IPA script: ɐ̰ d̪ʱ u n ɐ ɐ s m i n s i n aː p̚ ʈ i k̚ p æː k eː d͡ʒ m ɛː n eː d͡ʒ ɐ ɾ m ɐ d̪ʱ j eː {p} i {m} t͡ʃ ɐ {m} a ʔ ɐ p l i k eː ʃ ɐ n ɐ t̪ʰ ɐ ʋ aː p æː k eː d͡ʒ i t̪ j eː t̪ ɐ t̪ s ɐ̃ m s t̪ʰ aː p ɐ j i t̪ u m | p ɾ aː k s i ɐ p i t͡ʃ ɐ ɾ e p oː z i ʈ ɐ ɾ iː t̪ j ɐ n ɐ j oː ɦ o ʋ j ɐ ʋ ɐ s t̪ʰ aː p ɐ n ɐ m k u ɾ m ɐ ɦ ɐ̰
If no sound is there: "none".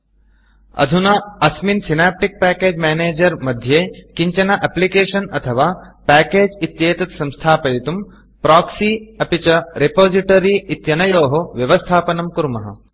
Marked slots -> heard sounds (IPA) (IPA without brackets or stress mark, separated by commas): k, ɲ, n